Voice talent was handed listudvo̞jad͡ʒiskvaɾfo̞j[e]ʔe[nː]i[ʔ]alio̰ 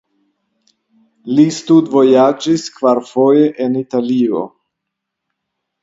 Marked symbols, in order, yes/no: yes, no, no

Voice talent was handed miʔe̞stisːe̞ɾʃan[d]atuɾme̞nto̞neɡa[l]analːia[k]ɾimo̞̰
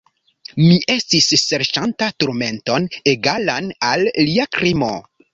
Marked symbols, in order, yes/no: no, yes, yes

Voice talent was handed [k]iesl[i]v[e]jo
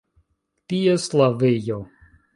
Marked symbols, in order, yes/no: no, no, yes

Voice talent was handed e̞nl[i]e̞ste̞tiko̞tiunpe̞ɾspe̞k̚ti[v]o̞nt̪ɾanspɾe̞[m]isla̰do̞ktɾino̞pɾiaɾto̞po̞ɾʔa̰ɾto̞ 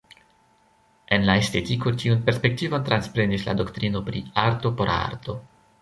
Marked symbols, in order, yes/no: no, yes, no

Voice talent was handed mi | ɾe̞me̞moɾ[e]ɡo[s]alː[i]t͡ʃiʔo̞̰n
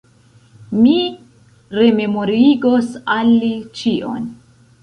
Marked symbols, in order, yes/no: no, yes, yes

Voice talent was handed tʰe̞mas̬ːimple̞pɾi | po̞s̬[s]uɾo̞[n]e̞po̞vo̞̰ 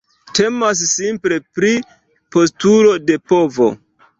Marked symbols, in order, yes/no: no, no

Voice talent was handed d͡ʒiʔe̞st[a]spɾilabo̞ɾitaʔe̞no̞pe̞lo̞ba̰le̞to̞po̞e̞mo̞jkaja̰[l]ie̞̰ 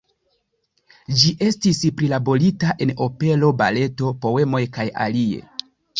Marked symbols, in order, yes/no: no, yes

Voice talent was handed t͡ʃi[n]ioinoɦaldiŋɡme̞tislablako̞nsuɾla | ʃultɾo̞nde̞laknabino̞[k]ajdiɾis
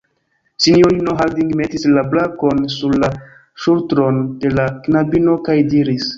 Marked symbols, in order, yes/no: yes, yes

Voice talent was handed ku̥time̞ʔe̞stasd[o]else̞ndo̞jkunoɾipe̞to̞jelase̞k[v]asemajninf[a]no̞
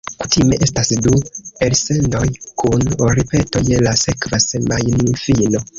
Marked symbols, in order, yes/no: no, yes, no

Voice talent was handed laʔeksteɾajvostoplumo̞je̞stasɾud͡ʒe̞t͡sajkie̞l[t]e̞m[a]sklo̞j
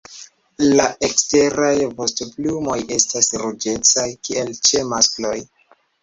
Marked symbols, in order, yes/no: no, yes

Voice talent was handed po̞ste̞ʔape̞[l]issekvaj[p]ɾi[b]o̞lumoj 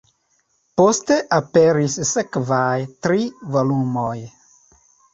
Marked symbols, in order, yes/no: no, no, no

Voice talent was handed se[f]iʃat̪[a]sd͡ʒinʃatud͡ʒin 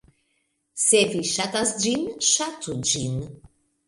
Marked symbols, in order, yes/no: no, yes

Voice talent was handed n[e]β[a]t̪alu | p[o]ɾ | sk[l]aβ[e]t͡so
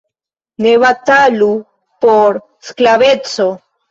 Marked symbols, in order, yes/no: yes, yes, yes, yes, yes

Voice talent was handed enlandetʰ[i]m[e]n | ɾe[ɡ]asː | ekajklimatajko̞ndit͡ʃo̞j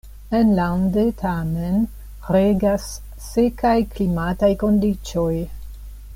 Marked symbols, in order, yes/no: no, yes, yes

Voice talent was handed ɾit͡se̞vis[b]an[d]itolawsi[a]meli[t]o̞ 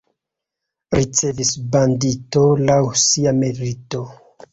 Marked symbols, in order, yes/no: yes, yes, yes, yes

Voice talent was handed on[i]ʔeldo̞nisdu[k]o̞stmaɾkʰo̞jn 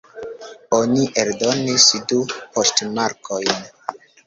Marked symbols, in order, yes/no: yes, no

